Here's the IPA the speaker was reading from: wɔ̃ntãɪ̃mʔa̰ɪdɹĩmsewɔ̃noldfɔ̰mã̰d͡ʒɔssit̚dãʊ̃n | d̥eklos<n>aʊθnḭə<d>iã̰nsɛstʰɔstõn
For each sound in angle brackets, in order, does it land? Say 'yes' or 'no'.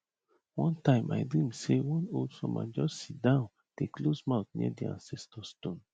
no, yes

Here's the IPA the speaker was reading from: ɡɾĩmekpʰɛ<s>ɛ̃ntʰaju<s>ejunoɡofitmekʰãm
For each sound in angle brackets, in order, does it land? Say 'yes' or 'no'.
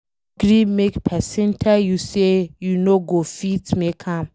yes, yes

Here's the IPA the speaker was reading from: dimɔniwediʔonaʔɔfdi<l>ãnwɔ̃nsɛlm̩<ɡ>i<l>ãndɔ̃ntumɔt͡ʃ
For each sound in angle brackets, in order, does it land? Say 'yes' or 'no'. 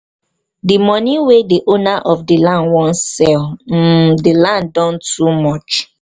yes, no, yes

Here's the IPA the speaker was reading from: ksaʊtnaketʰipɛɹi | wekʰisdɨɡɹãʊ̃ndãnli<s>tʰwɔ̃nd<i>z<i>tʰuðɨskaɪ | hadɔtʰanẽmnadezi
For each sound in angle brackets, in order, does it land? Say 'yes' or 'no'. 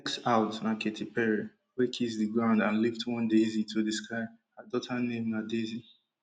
no, no, yes

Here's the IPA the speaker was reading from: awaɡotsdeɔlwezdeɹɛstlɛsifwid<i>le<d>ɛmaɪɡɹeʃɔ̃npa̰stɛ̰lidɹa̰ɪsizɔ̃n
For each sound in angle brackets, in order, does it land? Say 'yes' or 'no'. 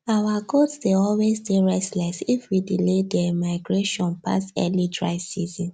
yes, yes

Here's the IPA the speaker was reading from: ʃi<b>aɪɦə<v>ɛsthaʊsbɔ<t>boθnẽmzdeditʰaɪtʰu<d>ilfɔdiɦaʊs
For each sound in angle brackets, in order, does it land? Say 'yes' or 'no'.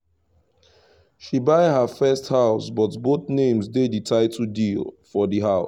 yes, no, yes, yes

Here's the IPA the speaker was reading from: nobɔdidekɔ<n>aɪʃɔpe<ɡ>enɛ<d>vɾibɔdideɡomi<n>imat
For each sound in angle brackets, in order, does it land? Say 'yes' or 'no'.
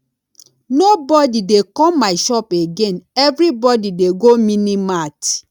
no, yes, no, yes

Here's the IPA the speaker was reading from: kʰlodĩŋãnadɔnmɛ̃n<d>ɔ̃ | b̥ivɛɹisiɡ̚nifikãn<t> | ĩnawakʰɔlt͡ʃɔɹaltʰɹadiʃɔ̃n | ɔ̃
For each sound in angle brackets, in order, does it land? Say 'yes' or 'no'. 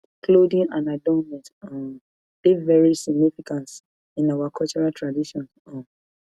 no, yes

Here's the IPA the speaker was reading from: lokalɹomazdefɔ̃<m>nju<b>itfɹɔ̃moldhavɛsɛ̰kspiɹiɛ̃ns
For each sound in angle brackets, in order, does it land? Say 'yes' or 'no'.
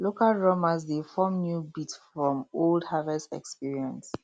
yes, yes

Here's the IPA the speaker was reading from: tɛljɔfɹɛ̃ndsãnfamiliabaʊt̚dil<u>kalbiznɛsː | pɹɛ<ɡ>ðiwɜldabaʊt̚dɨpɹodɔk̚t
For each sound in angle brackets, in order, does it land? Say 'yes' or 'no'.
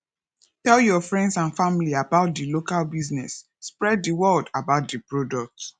no, no

